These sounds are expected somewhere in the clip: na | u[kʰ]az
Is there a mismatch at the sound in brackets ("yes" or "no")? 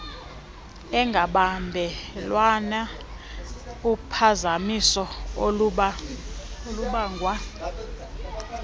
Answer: yes